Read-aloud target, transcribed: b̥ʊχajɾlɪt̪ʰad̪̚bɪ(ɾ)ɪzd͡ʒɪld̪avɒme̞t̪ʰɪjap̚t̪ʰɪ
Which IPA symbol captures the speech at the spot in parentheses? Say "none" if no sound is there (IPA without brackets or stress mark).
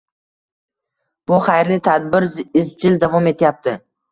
ɾ